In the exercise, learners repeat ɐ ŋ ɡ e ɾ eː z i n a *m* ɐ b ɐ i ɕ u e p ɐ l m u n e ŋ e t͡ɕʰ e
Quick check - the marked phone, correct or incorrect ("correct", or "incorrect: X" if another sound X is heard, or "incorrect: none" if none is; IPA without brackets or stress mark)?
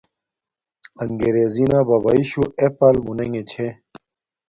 incorrect: b